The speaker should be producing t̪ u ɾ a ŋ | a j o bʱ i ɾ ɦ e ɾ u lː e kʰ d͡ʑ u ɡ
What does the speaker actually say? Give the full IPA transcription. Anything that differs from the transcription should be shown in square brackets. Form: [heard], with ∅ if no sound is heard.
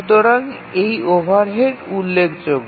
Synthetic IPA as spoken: t̪ [o] ɾ a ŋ | [e] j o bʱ [a] ɾ ɦ e ɾ u lː e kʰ d͡ʑ [o] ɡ